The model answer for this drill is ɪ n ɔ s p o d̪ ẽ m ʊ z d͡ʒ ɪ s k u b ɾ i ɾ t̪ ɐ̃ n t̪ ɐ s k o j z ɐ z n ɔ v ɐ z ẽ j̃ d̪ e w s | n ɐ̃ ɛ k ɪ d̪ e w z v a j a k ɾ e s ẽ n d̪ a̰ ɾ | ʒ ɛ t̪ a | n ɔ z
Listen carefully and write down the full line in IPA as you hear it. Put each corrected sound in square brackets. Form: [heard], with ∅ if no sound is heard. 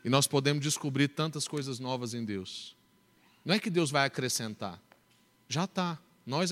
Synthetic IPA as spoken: ɪ n ɔ s p o d̪ ẽ m ʊ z d͡ʒ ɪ s k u b ɾ i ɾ t̪ ɐ̃ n t̪ ɐ s k o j z ɐ z n ɔ v ɐ z ẽ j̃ d̪ e w s | n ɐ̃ ɛ k ɪ d̪ e w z v a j a k ɾ e s ẽ n [t̪] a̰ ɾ | ʒ [a] t̪ a | n ɔ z